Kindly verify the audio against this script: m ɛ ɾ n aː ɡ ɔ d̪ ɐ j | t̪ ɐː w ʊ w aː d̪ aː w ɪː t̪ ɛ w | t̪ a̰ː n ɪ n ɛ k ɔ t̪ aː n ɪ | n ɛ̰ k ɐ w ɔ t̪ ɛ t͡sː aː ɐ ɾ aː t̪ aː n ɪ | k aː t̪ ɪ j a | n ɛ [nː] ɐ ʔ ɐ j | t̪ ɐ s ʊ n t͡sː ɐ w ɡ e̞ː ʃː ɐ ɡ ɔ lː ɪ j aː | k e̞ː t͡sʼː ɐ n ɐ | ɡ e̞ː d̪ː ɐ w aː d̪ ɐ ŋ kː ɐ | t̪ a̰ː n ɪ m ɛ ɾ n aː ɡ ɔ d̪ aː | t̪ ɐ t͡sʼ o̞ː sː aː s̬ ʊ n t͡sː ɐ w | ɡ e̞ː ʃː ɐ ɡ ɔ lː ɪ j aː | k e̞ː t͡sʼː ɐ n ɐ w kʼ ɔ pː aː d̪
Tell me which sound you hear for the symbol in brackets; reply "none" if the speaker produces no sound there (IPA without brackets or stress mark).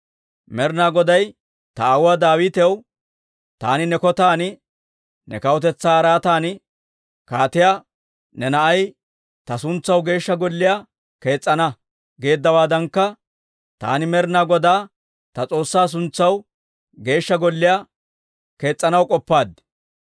n